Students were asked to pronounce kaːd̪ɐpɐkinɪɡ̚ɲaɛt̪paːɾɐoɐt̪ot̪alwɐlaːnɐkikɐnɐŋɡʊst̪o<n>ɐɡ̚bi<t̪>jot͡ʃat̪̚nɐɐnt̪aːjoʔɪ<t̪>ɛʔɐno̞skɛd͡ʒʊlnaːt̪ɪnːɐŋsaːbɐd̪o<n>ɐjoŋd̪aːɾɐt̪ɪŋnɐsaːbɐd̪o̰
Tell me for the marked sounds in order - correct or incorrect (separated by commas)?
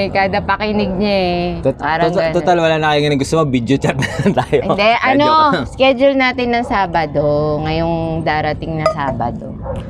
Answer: incorrect, incorrect, incorrect, incorrect